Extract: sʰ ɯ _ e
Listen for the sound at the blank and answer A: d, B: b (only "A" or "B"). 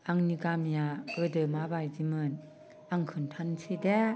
A